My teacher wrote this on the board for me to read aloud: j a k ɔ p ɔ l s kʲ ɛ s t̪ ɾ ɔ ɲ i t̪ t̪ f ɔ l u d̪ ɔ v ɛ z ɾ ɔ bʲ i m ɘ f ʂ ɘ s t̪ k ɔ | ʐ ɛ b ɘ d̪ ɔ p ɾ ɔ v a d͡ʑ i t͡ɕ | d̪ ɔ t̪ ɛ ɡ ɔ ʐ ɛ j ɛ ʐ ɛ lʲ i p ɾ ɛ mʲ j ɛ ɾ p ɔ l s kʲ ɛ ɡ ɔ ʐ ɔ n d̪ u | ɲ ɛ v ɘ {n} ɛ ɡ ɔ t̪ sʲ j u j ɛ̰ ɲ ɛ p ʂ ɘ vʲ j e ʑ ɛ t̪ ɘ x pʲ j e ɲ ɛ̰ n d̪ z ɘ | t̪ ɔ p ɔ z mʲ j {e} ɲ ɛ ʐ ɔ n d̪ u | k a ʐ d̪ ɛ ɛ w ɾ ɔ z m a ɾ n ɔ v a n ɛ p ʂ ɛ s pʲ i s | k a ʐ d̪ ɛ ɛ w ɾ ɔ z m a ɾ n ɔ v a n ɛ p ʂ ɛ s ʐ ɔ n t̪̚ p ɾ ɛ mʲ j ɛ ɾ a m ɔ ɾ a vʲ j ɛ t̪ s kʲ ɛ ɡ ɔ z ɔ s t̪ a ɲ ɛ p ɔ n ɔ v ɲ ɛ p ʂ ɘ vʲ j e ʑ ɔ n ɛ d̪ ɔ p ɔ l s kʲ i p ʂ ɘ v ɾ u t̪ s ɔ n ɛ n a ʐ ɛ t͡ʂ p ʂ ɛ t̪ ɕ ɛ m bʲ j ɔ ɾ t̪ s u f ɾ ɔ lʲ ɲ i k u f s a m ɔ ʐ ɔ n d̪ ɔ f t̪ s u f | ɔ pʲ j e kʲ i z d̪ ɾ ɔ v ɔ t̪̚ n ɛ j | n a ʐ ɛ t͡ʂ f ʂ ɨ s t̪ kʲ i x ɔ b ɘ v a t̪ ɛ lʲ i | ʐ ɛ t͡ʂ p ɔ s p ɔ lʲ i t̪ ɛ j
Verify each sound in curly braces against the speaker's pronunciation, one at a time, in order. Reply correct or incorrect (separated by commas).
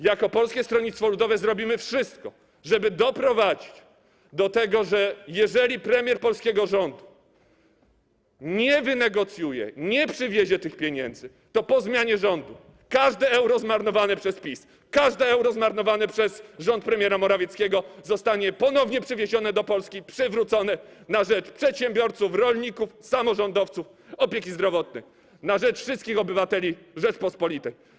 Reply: correct, incorrect